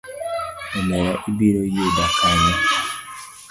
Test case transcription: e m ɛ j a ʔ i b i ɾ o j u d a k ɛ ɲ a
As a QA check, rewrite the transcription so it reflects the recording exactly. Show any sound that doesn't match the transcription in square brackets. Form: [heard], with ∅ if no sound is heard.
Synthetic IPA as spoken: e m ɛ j a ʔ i b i ɾ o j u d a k [a] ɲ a